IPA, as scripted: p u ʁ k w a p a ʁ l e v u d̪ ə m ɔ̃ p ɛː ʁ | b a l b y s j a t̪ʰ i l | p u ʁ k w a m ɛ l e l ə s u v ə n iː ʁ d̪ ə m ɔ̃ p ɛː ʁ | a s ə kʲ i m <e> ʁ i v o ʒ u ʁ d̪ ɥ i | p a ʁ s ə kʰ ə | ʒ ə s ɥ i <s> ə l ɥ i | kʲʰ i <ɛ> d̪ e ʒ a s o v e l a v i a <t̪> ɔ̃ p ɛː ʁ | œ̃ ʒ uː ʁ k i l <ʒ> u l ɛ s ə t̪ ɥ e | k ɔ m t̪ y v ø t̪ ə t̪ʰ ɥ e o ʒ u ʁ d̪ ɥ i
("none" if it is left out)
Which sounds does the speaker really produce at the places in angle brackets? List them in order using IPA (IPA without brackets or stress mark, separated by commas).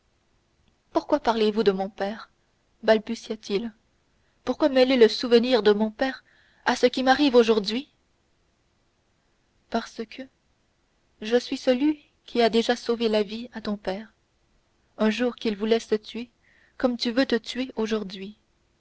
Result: a, s, a, t̪, v